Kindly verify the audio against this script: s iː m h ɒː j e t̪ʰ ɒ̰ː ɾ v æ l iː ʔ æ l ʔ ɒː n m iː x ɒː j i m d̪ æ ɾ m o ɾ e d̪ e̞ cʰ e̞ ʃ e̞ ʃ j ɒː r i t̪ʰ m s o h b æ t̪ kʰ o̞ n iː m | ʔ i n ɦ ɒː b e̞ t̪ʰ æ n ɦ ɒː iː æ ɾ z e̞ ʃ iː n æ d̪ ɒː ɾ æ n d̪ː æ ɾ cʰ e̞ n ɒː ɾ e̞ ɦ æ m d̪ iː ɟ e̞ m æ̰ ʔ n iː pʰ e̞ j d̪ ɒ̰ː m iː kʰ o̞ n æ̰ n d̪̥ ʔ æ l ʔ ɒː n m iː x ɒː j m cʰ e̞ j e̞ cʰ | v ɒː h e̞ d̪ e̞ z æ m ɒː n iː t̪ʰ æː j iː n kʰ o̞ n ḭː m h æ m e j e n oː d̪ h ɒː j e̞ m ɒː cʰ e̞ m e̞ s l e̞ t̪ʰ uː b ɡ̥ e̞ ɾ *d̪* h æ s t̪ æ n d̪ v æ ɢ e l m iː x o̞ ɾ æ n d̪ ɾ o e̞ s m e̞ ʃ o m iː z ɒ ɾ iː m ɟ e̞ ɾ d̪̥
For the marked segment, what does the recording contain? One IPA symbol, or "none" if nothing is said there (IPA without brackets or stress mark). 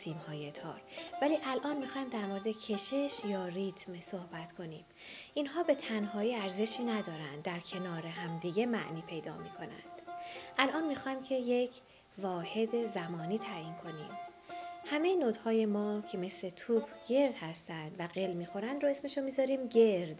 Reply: d̪